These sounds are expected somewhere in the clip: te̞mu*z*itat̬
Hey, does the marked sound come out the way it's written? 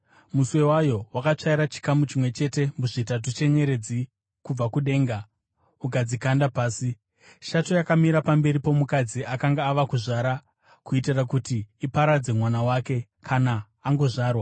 no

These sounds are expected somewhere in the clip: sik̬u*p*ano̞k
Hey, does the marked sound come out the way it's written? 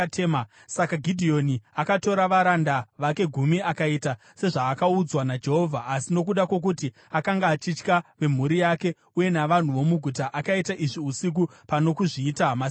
yes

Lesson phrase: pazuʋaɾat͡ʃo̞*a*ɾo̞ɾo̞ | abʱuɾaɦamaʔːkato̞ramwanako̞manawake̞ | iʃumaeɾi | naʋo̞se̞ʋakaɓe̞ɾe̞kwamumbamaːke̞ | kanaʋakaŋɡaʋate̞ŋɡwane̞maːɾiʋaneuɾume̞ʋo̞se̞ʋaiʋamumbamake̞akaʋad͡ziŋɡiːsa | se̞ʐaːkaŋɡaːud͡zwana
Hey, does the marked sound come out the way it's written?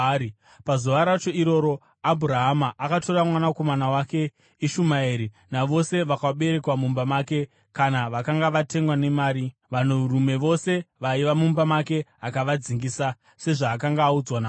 no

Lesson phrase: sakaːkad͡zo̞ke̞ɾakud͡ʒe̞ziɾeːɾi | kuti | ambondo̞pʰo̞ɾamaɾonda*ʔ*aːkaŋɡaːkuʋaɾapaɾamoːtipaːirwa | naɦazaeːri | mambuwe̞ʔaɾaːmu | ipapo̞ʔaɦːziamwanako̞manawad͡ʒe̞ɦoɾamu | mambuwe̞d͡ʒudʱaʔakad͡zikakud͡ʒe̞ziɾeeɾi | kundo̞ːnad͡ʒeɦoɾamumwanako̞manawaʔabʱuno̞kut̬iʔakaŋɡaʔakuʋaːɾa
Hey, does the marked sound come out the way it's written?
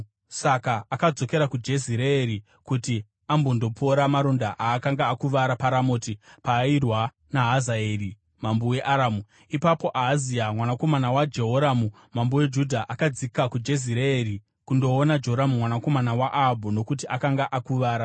yes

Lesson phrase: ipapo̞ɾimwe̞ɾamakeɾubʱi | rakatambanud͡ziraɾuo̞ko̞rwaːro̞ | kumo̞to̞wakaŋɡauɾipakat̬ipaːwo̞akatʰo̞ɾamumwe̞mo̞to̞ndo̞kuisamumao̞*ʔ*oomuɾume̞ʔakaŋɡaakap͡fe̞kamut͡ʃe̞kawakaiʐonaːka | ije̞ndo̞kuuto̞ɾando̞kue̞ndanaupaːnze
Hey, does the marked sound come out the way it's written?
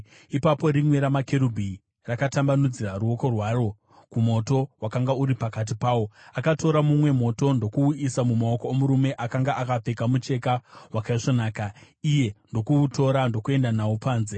no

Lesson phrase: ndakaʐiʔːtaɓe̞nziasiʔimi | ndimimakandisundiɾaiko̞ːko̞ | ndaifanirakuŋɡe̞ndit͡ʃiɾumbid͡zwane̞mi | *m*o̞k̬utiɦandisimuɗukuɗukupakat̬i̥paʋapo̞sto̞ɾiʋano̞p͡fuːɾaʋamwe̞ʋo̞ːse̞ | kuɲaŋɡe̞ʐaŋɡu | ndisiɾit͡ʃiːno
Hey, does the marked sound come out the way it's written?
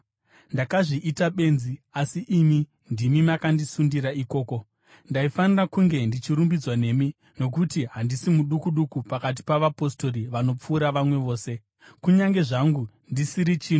no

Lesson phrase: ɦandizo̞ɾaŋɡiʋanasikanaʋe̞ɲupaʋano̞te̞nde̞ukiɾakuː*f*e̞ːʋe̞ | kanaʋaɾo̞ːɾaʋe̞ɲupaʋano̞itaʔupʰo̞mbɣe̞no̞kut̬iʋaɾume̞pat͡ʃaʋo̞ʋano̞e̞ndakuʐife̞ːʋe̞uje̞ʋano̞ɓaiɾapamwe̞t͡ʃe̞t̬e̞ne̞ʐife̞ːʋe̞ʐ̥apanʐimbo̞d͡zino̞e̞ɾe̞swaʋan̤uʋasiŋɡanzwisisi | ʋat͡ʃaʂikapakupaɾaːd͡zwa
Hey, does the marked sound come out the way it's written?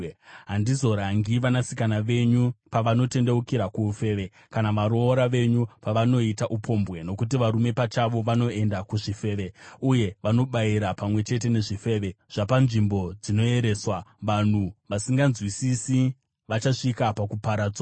yes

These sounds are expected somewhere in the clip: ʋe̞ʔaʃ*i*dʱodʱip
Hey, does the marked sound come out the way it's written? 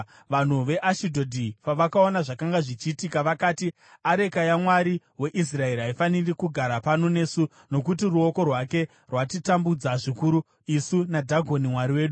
yes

